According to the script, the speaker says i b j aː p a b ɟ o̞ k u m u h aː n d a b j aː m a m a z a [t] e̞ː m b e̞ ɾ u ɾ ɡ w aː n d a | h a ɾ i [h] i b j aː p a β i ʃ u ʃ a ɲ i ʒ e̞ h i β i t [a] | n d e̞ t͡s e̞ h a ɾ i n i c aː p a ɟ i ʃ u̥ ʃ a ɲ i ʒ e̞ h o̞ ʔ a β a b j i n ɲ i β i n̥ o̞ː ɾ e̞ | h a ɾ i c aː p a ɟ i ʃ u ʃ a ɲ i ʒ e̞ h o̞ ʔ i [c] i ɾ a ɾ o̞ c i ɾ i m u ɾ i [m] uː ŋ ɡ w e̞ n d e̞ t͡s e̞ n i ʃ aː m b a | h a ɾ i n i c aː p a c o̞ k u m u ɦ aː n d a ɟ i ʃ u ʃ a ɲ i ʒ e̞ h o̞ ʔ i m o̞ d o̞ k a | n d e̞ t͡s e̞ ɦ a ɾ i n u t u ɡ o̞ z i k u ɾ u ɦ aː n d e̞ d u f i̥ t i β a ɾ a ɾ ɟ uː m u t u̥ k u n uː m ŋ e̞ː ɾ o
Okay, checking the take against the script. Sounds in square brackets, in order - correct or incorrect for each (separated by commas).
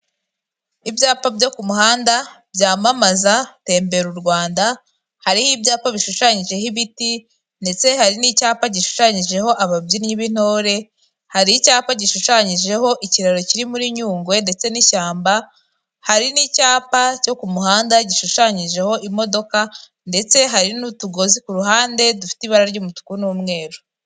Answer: correct, correct, incorrect, correct, incorrect